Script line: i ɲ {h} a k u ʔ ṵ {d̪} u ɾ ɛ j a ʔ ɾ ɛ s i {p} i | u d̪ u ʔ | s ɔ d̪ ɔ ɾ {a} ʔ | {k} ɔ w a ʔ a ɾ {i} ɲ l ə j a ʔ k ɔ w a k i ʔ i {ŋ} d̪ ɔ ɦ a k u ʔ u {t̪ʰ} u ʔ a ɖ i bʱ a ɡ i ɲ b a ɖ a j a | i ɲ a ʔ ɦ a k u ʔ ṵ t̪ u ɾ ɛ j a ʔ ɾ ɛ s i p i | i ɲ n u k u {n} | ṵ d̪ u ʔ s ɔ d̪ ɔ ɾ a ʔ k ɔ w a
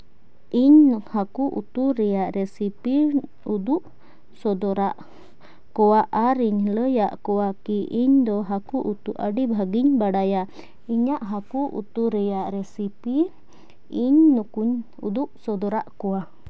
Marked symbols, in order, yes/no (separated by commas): yes, no, yes, yes, yes, yes, no, no, no